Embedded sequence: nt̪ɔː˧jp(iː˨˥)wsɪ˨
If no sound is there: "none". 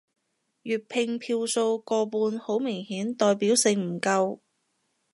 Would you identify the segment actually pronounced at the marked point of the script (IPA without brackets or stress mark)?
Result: iː˨˥